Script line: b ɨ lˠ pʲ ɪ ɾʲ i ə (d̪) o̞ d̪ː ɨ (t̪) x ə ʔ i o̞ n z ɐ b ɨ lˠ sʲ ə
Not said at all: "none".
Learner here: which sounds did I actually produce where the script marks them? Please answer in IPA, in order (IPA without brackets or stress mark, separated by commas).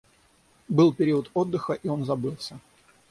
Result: t̪, none